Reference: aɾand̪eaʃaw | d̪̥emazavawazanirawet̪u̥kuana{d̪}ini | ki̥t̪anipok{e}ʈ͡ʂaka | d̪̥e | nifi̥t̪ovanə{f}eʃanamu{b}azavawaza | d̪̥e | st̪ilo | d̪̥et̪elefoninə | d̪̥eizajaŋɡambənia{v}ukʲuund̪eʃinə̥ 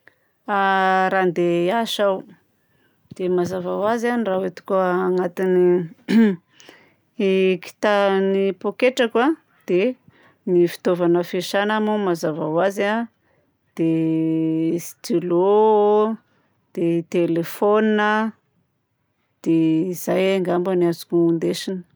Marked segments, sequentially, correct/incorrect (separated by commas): incorrect, correct, correct, incorrect, incorrect